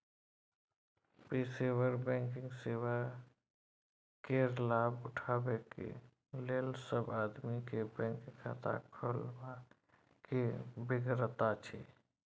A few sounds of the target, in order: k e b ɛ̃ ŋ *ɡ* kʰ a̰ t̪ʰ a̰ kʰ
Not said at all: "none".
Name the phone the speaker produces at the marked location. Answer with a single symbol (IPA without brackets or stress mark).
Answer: k